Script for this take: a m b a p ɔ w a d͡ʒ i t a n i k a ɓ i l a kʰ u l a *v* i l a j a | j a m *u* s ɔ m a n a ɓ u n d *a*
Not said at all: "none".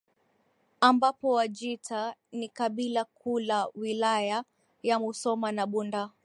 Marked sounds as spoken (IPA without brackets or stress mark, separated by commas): w, u, a